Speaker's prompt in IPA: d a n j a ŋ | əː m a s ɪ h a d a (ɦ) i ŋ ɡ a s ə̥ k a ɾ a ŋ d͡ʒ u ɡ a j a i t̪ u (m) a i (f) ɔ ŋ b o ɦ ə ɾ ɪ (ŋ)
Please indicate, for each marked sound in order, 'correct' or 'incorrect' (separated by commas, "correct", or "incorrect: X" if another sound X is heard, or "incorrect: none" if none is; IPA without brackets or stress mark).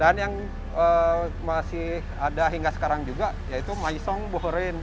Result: correct, correct, incorrect: s, incorrect: n